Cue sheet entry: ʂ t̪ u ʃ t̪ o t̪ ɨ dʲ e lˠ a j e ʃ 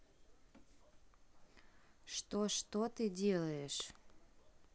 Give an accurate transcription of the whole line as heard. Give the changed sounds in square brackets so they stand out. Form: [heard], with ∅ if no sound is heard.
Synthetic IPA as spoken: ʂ t̪ [o] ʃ t̪ o t̪ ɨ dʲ e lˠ [ə] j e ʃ